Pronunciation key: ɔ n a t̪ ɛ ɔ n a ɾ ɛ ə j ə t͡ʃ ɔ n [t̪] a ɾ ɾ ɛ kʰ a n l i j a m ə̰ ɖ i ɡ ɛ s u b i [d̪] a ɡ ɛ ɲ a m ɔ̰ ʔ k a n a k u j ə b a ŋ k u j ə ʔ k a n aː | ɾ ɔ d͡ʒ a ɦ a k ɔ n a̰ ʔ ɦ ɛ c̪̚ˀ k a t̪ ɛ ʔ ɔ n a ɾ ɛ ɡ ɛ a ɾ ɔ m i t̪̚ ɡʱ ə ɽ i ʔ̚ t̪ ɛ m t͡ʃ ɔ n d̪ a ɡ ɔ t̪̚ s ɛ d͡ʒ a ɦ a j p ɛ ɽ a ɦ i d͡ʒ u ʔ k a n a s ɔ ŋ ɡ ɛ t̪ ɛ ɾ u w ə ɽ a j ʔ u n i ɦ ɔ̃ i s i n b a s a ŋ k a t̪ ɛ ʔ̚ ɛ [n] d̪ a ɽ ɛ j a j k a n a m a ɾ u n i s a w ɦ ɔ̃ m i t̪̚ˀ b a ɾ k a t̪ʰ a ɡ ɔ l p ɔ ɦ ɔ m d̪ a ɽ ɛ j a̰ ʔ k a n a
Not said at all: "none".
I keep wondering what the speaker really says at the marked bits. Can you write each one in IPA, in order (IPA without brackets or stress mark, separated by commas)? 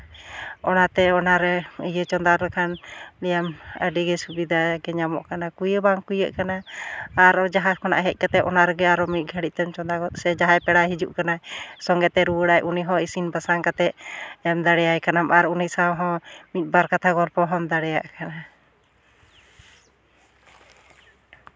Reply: d̪, d̪, m